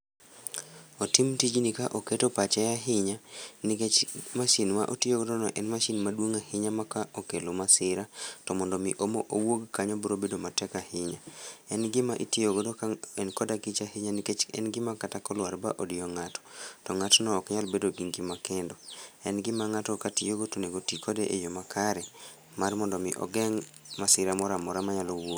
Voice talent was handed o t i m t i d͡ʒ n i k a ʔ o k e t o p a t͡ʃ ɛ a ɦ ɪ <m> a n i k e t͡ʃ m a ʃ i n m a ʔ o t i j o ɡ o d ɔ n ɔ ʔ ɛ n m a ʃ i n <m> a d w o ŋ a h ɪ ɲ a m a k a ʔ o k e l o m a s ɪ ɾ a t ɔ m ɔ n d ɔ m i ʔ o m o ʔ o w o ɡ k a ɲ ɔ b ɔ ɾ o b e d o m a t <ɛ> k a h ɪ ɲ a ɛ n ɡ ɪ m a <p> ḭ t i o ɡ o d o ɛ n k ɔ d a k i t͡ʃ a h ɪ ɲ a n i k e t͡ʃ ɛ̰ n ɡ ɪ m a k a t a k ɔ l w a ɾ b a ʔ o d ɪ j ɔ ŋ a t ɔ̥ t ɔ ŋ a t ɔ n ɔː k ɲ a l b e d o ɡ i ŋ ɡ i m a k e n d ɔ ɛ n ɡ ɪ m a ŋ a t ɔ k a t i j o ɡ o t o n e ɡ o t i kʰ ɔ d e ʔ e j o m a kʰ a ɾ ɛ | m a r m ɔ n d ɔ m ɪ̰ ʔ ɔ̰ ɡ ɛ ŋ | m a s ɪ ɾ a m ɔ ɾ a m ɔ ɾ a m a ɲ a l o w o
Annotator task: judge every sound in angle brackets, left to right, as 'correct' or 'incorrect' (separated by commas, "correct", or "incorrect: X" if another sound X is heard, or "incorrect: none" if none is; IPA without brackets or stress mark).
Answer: incorrect: ɲ, correct, correct, incorrect: ʔ